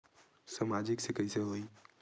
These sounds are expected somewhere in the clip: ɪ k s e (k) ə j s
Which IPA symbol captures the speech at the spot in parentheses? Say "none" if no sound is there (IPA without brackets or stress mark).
k